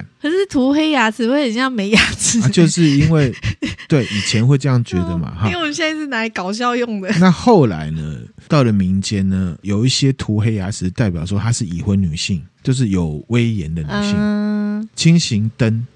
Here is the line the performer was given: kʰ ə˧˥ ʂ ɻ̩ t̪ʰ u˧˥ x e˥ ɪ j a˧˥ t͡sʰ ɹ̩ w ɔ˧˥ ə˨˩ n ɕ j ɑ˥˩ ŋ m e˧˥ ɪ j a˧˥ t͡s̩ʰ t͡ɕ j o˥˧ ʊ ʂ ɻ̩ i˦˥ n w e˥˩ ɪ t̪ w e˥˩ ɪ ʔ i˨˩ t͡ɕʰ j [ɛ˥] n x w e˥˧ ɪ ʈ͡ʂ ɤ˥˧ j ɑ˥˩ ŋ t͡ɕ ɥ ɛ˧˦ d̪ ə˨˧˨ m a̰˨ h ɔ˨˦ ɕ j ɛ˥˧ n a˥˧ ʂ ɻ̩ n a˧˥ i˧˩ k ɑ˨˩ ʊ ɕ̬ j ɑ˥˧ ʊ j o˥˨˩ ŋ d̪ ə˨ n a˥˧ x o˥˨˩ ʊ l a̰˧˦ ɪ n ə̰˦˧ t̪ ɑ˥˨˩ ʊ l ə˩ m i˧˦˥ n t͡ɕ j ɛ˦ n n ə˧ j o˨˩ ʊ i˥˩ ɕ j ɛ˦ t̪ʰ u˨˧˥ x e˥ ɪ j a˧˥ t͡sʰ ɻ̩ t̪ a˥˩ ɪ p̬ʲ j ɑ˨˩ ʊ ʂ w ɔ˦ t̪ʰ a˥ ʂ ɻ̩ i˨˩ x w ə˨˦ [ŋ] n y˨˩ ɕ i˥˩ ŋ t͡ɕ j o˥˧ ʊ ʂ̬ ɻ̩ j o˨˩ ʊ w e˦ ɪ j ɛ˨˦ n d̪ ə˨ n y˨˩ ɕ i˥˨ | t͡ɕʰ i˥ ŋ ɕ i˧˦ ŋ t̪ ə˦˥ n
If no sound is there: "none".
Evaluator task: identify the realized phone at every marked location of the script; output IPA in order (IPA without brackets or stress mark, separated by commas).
ɛ˧˦, n